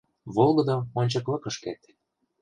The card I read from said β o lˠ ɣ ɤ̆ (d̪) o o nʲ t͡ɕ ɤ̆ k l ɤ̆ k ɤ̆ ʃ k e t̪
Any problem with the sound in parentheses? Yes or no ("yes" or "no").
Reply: no